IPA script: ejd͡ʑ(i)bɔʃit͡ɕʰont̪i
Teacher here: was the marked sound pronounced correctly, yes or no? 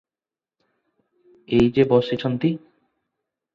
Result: no